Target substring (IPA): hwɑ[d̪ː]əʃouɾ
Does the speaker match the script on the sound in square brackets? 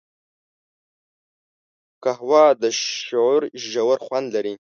no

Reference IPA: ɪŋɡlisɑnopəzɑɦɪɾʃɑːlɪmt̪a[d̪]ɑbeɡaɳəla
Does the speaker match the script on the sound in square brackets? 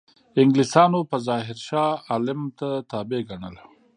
no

